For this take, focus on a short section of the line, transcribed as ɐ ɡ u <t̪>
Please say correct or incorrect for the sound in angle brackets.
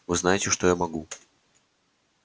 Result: incorrect